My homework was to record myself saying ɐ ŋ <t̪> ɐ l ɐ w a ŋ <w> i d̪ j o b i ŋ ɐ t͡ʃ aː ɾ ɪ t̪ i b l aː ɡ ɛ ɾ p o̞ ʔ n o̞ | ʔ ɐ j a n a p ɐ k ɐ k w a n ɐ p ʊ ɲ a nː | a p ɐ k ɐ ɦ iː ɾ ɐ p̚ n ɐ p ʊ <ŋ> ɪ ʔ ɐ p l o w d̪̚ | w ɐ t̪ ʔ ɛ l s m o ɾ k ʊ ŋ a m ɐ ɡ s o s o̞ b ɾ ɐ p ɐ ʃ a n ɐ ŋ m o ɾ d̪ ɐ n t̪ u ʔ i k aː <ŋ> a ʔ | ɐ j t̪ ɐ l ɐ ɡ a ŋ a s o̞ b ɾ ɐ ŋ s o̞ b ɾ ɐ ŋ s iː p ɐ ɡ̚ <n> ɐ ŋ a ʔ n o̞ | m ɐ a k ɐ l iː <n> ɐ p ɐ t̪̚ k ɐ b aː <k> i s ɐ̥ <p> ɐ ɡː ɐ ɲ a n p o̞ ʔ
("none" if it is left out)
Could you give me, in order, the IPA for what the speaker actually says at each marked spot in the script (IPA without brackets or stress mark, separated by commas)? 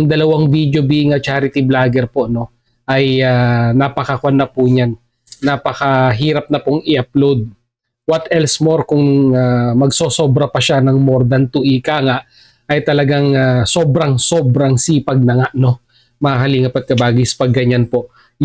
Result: d̪, v, ŋ, ŋ, n, ŋ, ɡ, p